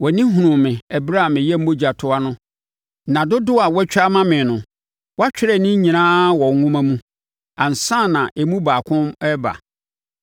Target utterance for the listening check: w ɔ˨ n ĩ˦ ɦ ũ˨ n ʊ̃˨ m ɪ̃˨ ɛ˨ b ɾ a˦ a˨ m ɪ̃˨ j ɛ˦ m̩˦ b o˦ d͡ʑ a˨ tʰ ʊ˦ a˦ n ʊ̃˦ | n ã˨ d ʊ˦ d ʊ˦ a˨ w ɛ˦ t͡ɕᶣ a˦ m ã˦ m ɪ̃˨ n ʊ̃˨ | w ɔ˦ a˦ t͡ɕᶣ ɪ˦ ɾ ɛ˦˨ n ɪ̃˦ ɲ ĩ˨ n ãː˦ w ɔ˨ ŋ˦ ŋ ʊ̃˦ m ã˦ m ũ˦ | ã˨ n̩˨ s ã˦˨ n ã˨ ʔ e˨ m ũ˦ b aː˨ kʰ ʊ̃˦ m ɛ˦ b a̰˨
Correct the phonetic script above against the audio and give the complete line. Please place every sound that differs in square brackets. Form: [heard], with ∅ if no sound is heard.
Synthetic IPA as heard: w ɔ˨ n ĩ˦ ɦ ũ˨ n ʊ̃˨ m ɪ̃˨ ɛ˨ b ɾ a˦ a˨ m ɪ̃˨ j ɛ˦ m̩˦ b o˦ d͡ʑ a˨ tʰ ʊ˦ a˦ n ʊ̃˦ | n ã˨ d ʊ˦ d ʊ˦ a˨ w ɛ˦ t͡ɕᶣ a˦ m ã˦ m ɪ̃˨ n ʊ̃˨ | w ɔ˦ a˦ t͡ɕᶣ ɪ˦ ɾ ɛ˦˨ n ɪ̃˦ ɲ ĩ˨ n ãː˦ w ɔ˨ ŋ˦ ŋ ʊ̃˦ m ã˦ m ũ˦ | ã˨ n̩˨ s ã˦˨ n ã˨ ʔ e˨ m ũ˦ b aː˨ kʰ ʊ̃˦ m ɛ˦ b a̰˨